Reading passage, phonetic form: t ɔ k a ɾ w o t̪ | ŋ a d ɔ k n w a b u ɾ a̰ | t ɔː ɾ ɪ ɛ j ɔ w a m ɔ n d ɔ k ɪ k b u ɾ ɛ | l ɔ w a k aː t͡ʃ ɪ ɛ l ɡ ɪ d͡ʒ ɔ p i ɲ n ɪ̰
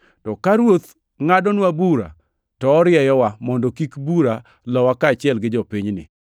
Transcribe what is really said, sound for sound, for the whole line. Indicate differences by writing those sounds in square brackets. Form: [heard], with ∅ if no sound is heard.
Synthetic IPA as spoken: t ɔ k a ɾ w o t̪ | ŋ a d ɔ [∅] n w a b u ɾ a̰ | t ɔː ɾ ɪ ɛ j ɔ w a m ɔ n d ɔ k [i] k b u ɾ [a] | l ɔ w a k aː t͡ʃ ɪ ɛ l ɡ ɪ d͡ʒ ɔ p i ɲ n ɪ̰